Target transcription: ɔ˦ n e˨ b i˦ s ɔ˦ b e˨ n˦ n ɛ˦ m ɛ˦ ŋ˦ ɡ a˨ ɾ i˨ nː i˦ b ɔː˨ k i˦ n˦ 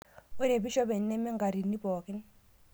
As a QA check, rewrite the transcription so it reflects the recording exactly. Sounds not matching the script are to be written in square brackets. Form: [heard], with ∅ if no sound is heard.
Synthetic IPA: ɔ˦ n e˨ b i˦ [ʃ] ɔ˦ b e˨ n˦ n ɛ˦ m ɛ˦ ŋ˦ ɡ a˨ ɾ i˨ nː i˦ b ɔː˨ k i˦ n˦

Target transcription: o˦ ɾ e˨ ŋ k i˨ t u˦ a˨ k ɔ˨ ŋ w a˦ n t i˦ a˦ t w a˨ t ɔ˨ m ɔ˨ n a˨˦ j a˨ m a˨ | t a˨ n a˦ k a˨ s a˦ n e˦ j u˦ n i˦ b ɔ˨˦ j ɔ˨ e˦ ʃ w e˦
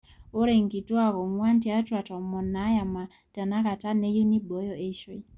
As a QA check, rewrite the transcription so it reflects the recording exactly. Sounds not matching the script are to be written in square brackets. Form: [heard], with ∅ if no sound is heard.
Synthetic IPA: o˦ ɾ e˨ ŋ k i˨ t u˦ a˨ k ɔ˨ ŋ w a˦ n t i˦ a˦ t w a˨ t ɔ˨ m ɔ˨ n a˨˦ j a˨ m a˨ | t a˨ n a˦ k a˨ [t] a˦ n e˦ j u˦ n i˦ b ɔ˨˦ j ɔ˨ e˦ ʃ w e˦

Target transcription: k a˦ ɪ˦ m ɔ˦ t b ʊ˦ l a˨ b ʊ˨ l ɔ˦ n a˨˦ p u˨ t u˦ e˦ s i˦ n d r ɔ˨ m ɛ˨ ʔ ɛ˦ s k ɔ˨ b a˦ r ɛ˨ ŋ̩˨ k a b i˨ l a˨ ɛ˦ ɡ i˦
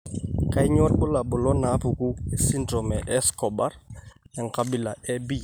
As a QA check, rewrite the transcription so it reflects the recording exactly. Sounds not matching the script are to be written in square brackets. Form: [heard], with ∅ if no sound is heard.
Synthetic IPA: k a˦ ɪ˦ [ɲ] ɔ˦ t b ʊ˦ l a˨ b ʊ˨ l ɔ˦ n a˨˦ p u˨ [k] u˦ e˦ s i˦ n d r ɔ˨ m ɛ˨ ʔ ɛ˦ s k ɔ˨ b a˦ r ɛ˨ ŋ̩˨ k a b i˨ l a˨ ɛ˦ [b] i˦

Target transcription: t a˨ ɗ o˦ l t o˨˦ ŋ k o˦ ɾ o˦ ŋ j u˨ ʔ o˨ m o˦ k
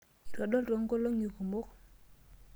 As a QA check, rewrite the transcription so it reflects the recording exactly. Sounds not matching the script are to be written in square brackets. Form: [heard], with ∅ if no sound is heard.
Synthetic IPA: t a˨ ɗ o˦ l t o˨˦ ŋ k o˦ [l] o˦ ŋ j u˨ [k] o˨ m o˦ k

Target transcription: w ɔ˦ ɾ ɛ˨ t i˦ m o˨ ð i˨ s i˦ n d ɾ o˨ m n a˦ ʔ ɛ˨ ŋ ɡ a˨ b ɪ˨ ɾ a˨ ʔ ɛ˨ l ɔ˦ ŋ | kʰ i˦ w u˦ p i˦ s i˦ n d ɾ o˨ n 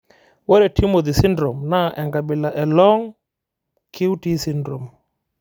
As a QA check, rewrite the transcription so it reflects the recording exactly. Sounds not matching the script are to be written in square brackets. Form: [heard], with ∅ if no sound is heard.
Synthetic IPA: w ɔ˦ ɾ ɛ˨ t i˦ m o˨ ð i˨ s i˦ n d ɾ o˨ m n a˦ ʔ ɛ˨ ŋ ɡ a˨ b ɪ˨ [l] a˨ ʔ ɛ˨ l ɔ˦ ŋ | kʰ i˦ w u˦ [t] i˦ s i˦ n d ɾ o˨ [m]

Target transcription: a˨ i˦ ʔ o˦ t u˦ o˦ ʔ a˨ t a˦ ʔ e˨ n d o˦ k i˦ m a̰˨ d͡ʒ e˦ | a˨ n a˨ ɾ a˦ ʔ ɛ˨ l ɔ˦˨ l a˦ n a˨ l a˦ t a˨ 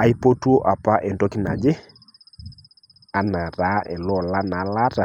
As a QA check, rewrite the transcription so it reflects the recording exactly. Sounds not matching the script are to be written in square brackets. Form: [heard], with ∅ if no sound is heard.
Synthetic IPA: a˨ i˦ [p] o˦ t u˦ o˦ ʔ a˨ [p] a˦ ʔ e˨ n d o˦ k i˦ [n] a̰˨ d͡ʒ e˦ | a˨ n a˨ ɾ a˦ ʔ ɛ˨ l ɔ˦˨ l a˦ n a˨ l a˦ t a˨

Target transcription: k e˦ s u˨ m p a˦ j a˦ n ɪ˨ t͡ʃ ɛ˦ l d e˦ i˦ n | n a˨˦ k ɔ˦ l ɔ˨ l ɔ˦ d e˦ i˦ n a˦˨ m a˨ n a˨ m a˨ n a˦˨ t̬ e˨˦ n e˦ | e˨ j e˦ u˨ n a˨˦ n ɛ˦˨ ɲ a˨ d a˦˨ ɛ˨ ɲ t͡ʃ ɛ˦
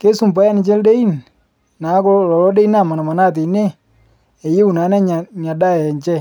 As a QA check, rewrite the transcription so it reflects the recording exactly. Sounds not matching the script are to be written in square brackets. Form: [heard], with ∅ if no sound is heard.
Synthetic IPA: k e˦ s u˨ m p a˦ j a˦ n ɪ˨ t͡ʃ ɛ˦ l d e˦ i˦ n | n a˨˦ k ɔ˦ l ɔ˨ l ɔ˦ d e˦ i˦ n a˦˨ m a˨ n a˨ m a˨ n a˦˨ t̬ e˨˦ n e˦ | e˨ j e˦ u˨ n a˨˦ n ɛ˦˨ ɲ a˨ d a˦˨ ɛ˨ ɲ t͡ʃ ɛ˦

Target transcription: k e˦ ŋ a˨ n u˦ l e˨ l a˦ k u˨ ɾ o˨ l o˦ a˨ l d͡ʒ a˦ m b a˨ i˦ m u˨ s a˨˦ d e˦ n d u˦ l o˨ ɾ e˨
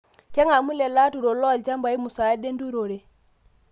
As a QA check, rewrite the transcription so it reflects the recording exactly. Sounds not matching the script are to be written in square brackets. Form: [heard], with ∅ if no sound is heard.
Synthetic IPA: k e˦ ŋ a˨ [m] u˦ l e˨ l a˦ [t] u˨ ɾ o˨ l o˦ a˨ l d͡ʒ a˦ m b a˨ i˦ m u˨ s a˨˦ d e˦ n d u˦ [ɾ] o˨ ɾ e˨

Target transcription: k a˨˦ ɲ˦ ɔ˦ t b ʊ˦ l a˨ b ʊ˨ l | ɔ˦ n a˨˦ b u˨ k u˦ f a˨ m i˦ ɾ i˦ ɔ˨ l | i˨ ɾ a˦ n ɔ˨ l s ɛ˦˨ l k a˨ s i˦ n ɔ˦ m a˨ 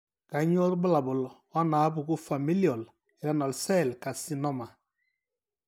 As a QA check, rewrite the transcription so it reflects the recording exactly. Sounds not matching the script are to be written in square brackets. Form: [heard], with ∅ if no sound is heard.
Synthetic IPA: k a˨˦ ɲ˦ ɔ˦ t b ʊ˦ l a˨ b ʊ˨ l | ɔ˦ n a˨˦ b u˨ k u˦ f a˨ m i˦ [l] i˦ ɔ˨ l | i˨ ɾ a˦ n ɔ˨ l s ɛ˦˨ l k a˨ s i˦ n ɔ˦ m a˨

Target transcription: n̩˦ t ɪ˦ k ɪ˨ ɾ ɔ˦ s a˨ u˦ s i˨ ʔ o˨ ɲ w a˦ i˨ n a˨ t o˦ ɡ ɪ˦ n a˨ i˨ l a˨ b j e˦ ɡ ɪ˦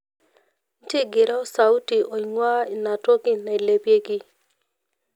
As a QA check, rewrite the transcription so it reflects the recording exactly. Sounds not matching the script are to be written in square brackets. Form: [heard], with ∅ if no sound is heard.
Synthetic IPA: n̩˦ t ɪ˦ [ɡ] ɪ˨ ɾ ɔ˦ s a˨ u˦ [t] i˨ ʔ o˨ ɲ w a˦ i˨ n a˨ t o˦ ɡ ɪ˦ n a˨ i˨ l [e˨] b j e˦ ɡ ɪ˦

